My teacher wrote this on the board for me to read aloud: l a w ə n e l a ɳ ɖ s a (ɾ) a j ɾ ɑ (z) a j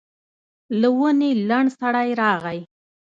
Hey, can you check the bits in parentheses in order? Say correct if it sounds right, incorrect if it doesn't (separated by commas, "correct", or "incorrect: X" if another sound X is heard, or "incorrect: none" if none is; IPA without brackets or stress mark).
incorrect: ɽ, incorrect: ɣ